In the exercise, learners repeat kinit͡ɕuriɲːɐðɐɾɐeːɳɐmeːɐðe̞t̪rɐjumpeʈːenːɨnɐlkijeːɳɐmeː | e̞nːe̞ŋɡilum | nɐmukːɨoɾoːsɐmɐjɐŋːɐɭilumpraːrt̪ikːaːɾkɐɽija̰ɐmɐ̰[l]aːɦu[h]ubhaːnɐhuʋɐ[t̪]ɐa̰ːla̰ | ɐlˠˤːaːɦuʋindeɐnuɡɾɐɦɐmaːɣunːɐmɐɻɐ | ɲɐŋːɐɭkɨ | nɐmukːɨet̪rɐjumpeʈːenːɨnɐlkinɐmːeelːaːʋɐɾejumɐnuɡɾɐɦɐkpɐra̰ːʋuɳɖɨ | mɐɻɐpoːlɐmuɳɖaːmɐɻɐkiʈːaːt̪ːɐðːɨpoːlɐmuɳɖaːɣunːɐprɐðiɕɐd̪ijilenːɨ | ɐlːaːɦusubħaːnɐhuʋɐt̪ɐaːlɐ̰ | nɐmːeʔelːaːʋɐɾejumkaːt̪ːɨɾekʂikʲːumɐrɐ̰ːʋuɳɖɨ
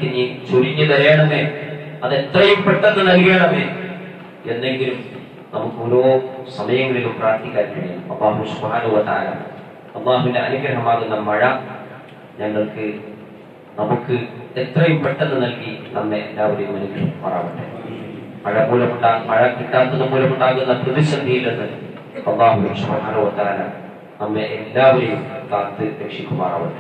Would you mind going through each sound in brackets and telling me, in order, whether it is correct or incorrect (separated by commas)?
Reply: incorrect, incorrect, correct